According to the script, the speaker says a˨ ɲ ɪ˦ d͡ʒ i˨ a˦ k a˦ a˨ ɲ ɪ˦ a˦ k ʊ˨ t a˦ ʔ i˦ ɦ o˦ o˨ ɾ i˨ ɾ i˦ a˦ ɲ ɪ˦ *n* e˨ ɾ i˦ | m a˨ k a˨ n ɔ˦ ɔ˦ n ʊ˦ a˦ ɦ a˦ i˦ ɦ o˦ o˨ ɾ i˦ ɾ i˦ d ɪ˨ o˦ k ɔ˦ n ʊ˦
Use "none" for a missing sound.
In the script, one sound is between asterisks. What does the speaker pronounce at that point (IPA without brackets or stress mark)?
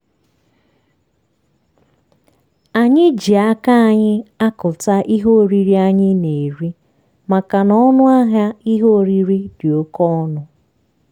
n